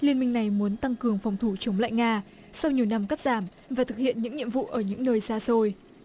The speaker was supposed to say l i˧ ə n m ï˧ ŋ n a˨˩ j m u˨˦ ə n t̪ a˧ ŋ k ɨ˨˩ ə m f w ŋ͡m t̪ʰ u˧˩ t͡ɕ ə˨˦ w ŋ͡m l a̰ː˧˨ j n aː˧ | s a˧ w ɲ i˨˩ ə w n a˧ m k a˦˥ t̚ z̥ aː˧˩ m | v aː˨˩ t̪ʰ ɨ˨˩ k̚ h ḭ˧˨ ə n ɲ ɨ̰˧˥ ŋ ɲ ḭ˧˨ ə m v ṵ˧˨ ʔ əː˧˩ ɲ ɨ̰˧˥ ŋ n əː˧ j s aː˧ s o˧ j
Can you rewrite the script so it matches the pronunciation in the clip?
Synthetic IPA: l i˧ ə n m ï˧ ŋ n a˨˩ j m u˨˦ ə n t̪ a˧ ŋ k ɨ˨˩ ə ŋ f w ŋ͡m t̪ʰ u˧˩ t͡ɕ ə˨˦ w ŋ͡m l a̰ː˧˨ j ŋ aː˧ | s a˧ w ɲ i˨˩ ə w n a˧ m k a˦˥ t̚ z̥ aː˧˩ m | v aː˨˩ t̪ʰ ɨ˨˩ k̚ h ḭ˧˨ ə n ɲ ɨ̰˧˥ ŋ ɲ ḭ˧˨ ə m v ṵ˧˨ ʔ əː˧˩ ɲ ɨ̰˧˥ ŋ n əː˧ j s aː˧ s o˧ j

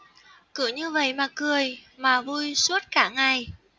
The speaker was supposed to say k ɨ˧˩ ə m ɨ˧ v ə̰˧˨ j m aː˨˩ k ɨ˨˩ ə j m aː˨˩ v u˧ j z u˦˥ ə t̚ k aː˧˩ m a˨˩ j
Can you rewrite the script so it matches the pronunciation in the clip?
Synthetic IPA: k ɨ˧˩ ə ɲ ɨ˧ v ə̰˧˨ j m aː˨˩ k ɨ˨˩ ə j m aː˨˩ v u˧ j s u˦˥ ə t̚ k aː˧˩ ŋ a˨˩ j

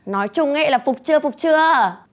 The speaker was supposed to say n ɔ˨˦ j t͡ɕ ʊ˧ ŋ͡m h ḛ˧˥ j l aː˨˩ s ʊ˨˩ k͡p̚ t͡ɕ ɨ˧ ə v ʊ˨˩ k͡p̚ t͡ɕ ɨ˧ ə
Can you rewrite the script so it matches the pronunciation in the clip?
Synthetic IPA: n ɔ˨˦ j t͡ɕ ʊ˧ ŋ͡m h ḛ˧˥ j l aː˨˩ f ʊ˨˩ k͡p̚ t͡ɕ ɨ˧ ə f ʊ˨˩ k͡p̚ t͡ɕ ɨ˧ ə

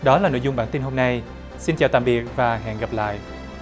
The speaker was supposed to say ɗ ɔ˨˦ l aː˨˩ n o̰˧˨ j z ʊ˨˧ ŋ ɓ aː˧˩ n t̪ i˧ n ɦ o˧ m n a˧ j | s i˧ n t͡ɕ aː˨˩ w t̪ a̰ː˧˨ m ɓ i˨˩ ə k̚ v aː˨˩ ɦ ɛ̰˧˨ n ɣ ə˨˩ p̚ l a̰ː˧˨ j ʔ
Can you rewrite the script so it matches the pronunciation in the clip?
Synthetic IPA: ɗ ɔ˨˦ l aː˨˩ n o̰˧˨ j z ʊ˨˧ ŋ͡m ɓ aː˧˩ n t̪ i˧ n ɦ o˧ m n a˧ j | s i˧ n t͡ɕ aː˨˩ w t̪ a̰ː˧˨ m ɓ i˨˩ ə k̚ v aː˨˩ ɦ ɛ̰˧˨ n ɣ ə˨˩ p̚ l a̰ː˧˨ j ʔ

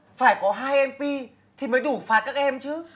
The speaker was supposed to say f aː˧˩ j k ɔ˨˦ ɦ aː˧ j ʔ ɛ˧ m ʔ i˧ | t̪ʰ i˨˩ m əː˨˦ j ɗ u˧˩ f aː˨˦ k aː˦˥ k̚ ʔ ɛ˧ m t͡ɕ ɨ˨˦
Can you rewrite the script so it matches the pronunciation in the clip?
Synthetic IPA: f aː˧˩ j k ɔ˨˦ ɦ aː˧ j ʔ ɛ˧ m p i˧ | t̪ʰ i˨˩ m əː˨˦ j ɗ u˧˩ f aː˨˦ k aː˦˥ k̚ ʔ ɛ˧ m t͡ɕ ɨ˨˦

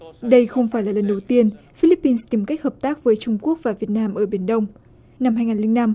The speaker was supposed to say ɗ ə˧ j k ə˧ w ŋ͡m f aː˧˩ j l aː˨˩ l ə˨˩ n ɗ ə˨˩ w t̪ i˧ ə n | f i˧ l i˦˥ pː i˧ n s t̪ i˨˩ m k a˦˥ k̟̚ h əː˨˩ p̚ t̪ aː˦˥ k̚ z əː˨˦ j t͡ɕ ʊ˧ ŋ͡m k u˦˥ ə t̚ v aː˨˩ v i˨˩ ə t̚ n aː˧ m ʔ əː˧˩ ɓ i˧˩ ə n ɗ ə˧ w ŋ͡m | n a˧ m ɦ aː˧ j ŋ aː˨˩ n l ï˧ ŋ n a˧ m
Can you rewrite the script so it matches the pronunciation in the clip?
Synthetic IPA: ɗ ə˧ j x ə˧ w ŋ͡m f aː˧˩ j l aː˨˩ l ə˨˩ n ɗ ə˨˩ w t̪ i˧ ə n | f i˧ l i˦˥ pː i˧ n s t̪ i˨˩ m k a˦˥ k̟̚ h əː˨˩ p̚ t̪ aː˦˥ k̚ v əː˨˦ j t͡ɕ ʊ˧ ŋ͡m k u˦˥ ə k̚ v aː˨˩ v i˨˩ ə t̚ n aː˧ m ʔ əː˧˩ ɓ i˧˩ ə n ɗ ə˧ w ŋ͡m | n a˧ m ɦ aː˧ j ŋ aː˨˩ n l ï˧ ŋ n a˧ m

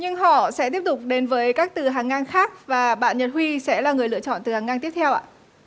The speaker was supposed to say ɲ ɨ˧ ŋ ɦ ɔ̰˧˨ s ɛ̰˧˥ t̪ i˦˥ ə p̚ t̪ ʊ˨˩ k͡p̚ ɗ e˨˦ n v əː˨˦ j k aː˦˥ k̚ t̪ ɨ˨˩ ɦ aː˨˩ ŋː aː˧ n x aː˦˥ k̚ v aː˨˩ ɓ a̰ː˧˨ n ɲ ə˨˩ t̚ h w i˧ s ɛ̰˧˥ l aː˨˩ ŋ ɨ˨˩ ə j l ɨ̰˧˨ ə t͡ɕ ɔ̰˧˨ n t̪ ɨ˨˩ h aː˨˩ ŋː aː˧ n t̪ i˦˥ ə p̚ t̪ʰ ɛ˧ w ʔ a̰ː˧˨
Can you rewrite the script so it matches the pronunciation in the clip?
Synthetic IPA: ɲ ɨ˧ ŋ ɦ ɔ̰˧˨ s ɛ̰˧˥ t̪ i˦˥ ə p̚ t̪ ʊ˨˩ k͡p̚ ɗ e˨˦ n v əː˨˦ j k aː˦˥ k̚ t̪ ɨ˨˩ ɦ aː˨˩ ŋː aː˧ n x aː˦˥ k̚ v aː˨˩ ɓ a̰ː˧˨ n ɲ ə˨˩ t̚ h w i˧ s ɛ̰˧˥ l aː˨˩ ŋ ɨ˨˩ ə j l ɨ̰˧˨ ə t͡ɕ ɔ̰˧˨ n t̪ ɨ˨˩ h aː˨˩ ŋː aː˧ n t̪ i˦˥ ə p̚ t̪ʰ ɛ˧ w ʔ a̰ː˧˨

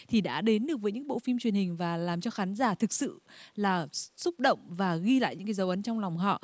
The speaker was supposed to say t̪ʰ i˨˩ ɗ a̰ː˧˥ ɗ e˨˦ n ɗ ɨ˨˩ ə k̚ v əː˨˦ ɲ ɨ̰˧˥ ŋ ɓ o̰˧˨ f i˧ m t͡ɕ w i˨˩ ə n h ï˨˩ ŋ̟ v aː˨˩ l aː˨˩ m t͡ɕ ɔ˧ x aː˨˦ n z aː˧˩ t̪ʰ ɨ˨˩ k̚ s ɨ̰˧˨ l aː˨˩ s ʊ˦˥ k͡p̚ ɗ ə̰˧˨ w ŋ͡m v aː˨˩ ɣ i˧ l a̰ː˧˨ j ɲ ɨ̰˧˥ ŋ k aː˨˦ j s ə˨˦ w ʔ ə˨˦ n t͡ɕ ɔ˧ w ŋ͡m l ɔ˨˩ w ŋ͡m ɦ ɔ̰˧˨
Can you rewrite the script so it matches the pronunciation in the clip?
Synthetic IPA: t̪ʰ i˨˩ ɗ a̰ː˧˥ ɗ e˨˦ n ɗ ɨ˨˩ ə k̚ v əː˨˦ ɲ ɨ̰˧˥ ŋ ɓ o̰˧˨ f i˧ m t͡ɕ w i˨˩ ə n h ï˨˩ ŋ̟ v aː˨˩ l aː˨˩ m t͡ɕ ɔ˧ x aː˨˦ n z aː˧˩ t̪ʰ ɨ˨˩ k̚ s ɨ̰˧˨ l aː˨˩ s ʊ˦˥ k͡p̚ ɗ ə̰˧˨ w ŋ͡m v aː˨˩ ɣ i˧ l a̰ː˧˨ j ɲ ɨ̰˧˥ ŋ k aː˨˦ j z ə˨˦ w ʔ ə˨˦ n t͡ɕ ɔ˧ w ŋ͡m l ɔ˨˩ w ŋ͡m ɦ ɔ̰˧˨

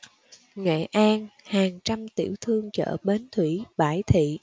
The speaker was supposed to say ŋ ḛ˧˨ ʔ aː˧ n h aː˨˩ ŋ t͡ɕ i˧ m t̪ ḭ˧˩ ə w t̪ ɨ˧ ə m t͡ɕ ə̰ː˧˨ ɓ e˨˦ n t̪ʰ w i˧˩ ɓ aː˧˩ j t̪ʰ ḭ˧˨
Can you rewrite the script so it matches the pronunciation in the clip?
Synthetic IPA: ŋ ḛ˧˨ ʔ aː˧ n h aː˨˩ ŋ t͡ɕ a˧ m t̪ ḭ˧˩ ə w t̪ʰ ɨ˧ ə ŋ t͡ɕ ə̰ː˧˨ ɓ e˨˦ n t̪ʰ w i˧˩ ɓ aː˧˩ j t̪ʰ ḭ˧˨

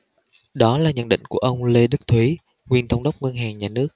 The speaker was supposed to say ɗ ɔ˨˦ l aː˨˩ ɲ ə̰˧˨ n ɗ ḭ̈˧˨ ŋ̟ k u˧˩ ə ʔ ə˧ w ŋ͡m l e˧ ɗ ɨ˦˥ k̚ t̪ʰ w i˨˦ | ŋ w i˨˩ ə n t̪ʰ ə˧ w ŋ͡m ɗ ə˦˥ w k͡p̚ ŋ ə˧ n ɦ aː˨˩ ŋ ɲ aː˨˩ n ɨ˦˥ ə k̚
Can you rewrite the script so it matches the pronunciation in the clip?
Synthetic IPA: ɗ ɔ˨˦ l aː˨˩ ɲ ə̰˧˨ n ɗ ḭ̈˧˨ ŋ̟ k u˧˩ ə ʔ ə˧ w ŋ͡m l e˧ ɗ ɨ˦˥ k̚ t̪ʰ w i˨˦ | ŋ w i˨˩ ə n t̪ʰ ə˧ w ŋ͡m ɗ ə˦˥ w k͡p̚ ŋ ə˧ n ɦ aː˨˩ ŋ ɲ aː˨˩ n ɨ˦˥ ə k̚

